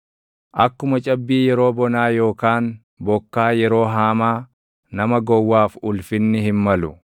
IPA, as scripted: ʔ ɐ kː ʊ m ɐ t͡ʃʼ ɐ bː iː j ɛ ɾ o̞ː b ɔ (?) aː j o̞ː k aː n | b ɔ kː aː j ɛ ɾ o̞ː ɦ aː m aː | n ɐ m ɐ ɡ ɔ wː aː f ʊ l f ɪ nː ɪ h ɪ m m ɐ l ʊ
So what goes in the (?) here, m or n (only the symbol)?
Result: n